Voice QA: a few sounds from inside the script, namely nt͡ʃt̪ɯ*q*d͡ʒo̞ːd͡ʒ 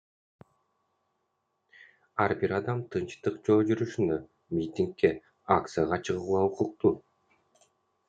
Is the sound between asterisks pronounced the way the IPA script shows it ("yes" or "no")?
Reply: yes